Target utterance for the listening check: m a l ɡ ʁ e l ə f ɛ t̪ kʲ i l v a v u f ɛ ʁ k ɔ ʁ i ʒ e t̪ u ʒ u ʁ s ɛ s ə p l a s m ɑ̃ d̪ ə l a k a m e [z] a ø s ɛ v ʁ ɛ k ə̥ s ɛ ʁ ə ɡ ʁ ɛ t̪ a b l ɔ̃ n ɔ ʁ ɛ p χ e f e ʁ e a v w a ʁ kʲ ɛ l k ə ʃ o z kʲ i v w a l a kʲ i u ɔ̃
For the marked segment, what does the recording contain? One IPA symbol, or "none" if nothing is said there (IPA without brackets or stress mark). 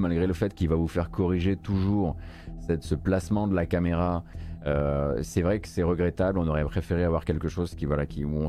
ʁ